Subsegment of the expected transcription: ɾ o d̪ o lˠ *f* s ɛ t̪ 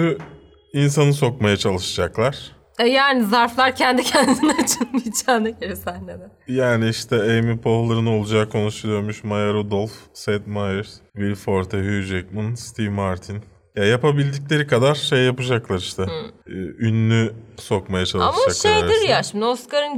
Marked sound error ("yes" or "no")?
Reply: no